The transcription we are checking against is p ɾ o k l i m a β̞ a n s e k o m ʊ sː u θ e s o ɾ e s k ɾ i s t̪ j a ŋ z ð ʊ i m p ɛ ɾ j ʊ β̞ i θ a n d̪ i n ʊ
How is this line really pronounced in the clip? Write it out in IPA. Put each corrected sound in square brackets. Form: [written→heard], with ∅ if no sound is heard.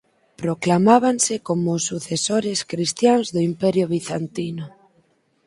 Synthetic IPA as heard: p ɾ o k l [i→a] m a β̞ a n s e k o m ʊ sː u θ e s o ɾ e s k ɾ i s t̪ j a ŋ z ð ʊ i m p ɛ ɾ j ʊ β̞ i θ a n [d̪→t̪] i n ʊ